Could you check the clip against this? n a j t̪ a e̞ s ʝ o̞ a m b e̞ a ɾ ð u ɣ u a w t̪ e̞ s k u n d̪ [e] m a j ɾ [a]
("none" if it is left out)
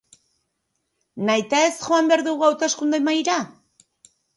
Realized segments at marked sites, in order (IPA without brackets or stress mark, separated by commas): e, a